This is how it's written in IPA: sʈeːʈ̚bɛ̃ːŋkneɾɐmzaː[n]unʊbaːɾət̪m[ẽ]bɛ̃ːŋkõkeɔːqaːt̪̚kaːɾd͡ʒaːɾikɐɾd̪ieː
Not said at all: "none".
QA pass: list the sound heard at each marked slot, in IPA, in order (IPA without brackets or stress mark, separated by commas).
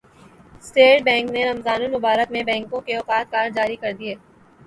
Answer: n, ẽ